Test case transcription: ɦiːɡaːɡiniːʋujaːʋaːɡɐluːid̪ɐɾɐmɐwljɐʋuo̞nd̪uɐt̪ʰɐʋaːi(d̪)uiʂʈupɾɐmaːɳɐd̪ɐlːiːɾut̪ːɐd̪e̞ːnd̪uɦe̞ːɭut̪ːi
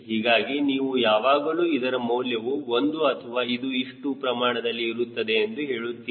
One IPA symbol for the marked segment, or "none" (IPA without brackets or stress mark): d̪